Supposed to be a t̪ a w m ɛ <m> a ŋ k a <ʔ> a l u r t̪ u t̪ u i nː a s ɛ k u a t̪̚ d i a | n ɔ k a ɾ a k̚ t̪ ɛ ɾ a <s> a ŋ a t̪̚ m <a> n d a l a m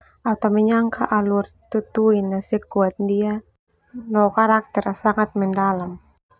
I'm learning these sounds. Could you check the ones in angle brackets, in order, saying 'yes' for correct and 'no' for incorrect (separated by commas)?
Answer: no, yes, yes, no